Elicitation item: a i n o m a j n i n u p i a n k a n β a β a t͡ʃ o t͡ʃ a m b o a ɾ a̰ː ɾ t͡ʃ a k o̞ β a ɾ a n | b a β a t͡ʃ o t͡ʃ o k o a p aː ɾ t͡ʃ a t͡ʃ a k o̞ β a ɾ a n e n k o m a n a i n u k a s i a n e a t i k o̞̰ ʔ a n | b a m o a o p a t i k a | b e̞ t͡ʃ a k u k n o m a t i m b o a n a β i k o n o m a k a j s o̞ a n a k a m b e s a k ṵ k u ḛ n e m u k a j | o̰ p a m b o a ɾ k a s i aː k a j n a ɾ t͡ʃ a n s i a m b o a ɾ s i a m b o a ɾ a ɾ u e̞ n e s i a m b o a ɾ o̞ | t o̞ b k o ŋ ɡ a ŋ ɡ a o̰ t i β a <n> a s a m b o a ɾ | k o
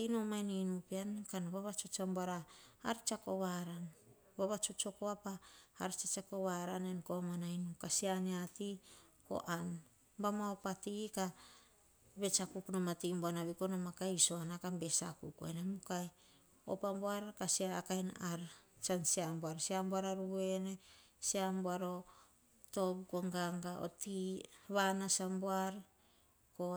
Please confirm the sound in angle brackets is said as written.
yes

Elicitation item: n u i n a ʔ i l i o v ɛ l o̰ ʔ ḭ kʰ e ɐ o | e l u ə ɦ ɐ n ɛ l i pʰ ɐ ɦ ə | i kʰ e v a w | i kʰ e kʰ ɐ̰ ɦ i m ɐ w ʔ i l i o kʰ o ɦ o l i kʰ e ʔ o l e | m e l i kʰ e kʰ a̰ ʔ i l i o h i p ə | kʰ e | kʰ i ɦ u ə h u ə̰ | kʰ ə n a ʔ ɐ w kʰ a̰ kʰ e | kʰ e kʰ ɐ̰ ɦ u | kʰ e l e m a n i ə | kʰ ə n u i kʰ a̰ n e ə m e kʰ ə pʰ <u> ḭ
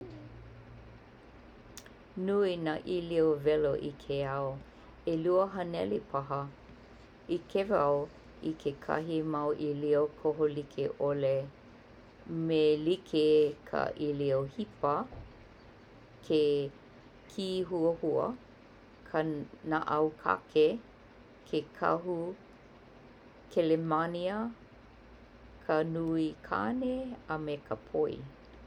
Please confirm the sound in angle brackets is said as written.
no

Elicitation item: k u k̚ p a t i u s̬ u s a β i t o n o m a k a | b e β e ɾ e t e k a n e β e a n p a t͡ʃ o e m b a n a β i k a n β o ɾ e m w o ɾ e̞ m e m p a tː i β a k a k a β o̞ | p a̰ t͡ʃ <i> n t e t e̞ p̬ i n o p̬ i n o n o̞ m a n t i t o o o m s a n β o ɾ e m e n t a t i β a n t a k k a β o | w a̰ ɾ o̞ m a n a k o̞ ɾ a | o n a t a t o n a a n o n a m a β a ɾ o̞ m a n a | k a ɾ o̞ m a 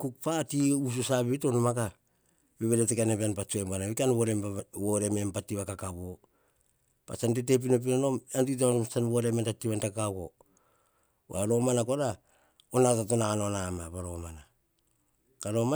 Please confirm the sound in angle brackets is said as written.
no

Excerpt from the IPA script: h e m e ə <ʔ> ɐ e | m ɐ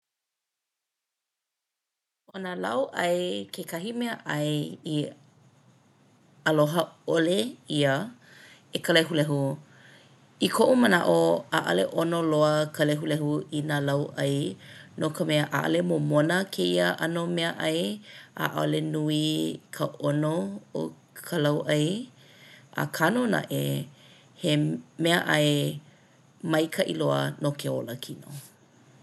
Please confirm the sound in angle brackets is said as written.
yes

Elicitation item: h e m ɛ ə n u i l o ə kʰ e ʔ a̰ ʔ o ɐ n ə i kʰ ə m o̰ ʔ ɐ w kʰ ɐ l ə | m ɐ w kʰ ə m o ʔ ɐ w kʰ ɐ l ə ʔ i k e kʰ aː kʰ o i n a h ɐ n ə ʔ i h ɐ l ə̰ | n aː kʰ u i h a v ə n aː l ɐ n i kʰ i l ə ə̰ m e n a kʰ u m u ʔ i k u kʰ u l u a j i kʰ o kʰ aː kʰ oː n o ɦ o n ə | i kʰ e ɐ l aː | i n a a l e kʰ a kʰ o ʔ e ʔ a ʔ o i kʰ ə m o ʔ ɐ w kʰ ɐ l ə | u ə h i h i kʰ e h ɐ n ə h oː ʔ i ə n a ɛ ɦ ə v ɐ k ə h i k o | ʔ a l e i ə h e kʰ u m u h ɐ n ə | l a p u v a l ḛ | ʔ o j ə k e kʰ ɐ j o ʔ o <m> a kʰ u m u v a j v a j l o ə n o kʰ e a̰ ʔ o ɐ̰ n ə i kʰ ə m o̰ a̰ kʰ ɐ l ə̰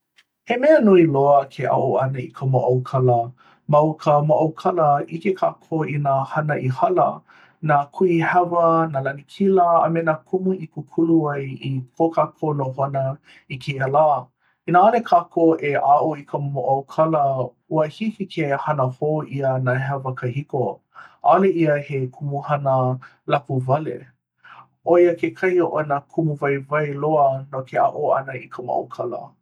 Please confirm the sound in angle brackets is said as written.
no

